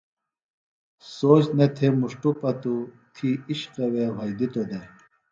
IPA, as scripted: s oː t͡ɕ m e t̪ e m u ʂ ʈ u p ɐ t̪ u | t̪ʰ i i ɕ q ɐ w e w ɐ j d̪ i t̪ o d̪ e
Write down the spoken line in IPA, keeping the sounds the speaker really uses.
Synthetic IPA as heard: s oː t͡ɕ n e t̪ʰ e m u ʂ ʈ u p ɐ t̪ u | t̪ʰ i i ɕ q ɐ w e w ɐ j d̪ i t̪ o d̪ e